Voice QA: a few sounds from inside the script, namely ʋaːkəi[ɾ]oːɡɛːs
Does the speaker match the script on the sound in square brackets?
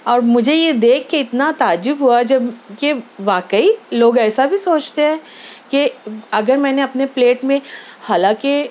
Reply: no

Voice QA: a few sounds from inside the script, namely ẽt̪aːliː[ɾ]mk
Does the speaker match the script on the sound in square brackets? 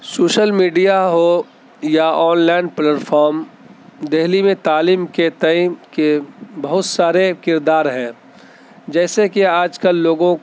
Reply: no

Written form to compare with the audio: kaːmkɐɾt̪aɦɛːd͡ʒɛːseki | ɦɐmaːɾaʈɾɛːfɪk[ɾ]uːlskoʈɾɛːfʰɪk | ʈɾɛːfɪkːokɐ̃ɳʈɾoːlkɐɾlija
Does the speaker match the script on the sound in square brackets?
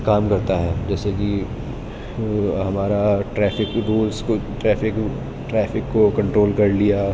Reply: yes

